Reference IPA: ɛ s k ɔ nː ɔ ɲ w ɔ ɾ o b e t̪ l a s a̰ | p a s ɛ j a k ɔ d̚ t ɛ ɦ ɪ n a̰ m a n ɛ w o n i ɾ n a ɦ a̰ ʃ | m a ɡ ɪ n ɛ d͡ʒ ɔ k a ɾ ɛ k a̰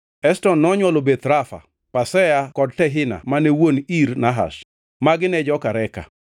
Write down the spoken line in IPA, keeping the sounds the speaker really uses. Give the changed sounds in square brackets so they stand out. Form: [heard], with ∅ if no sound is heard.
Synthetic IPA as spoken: ɛ s [t] ɔ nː ɔ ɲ w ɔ [l] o b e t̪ [ɾ] a [f] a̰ | p a s ɛ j a k ɔ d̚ t ɛ ɦ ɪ n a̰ m a n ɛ w o n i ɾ n a ɦ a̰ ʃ | m a ɡ ɪ n ɛ d͡ʒ ɔ k a ɾ ɛ k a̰